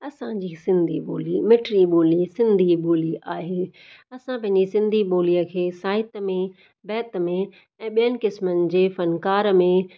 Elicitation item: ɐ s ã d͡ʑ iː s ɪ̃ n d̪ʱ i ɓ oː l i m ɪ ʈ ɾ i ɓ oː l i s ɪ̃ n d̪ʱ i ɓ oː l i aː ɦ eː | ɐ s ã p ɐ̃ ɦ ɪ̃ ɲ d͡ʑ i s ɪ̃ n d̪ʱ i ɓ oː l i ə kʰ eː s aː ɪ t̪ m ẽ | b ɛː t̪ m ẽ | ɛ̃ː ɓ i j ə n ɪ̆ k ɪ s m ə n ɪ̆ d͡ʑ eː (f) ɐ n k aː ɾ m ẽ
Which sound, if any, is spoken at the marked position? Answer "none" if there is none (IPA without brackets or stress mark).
f